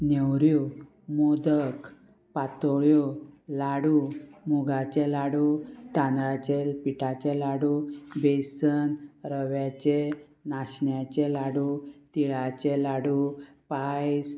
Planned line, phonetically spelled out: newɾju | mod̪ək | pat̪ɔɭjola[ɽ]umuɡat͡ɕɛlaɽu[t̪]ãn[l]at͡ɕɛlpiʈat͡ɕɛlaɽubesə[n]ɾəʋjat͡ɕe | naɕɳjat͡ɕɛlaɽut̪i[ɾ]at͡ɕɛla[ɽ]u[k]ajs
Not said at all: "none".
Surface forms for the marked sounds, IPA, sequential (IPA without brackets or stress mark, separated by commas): ɽ, t̪, ɾ, n, ɭ, ɽ, p